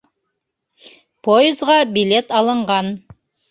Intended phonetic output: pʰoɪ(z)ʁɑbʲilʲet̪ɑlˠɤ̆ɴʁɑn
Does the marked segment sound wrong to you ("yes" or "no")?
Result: no